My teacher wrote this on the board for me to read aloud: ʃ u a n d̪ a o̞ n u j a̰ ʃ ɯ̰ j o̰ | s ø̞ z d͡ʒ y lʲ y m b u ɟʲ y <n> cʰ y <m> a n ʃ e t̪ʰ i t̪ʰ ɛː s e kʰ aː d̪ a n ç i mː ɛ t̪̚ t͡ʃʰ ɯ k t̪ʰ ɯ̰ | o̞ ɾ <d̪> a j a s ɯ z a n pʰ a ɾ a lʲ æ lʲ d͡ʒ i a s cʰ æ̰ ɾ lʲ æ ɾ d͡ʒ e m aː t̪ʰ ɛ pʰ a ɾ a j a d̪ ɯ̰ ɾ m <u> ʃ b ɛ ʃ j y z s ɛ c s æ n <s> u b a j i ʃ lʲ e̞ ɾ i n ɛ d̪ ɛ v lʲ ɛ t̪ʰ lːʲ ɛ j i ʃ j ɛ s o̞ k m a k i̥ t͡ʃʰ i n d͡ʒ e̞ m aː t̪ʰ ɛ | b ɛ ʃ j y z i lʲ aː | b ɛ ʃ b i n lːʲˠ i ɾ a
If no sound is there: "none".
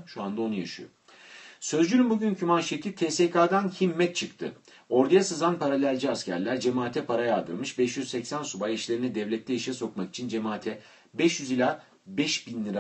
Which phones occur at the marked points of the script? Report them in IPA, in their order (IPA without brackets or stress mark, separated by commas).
n, m, d̪, ɯ, s